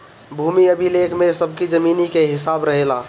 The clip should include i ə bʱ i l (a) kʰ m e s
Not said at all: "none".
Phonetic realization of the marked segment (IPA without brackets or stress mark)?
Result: e